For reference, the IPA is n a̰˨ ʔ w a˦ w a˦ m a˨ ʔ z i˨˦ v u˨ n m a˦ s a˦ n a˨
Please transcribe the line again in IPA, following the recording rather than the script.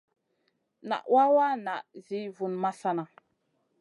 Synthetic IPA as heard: n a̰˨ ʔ w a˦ w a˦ n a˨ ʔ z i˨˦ v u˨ n m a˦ s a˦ n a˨